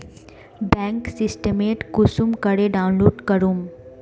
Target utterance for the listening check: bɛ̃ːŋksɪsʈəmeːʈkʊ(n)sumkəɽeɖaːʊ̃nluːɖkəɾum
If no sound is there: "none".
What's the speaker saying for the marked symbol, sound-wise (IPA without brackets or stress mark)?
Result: none